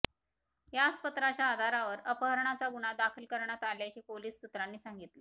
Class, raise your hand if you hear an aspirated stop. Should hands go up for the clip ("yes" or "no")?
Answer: yes